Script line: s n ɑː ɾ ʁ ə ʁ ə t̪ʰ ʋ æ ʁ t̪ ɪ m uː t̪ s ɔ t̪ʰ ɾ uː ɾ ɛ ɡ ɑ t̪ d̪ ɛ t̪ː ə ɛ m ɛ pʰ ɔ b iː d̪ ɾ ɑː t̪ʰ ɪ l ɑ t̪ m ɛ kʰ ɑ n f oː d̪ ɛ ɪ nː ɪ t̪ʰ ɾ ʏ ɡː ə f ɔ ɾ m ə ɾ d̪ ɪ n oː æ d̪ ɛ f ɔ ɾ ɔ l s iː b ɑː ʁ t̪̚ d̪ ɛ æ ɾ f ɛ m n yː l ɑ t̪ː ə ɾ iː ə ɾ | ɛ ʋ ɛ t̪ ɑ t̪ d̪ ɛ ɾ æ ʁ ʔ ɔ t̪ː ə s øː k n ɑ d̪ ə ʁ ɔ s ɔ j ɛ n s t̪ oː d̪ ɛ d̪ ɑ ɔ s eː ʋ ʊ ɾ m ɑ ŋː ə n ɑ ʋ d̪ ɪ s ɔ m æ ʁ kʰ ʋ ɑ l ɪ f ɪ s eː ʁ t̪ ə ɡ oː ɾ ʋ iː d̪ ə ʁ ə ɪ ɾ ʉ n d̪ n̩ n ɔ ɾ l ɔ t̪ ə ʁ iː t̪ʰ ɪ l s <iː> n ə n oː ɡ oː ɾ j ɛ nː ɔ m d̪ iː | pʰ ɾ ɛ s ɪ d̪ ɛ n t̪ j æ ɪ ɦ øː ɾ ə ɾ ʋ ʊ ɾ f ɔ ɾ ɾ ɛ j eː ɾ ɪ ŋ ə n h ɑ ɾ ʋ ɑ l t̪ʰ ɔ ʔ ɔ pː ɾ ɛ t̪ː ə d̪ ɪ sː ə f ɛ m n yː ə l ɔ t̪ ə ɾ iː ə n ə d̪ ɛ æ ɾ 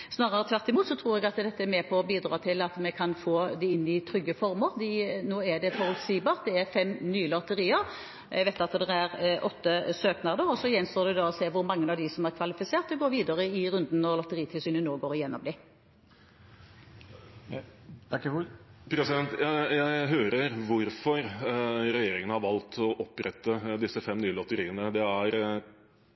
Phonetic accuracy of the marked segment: incorrect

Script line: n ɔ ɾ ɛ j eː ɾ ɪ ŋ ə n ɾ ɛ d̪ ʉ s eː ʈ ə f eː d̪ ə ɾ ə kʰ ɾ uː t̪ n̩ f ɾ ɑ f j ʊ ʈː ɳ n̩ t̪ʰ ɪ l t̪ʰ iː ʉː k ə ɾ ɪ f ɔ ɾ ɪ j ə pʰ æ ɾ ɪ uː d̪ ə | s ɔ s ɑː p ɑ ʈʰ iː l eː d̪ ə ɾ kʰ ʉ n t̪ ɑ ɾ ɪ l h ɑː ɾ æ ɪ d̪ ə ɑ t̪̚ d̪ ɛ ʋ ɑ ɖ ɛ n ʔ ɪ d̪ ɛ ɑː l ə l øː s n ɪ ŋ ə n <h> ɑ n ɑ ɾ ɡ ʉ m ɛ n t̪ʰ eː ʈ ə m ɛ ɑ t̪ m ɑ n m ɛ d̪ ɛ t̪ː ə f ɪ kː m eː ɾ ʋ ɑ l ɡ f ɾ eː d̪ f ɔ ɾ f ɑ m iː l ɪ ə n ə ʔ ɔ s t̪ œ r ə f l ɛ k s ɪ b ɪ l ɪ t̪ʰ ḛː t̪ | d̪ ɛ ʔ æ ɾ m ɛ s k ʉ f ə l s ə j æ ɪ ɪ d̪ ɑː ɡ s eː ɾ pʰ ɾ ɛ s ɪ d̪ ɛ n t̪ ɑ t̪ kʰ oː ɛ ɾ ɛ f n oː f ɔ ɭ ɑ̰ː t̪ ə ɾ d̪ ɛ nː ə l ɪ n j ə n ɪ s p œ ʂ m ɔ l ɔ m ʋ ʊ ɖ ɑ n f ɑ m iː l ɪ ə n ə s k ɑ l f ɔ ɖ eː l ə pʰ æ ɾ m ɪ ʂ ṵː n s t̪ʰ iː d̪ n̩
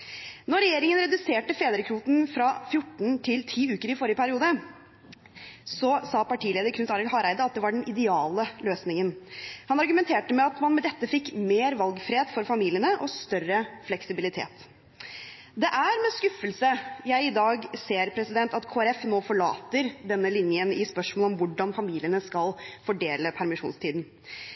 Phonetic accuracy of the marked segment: correct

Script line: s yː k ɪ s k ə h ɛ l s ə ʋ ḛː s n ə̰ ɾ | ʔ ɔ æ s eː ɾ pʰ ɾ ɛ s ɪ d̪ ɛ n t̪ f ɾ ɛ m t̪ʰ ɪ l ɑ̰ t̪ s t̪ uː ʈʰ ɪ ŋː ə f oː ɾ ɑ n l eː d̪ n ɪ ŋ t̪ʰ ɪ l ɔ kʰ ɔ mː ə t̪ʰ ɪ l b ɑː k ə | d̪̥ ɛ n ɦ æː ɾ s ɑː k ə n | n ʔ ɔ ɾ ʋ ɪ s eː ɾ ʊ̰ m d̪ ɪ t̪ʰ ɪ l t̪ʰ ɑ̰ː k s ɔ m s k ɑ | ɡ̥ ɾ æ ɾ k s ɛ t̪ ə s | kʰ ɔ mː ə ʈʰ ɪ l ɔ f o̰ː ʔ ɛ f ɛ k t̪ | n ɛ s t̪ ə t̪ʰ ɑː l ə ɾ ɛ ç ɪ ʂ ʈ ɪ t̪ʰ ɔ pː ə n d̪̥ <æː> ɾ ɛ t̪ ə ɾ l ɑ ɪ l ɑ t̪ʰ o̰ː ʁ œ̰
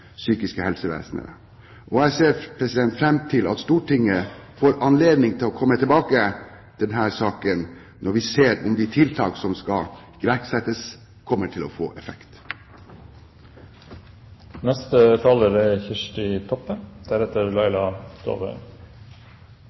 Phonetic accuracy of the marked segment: incorrect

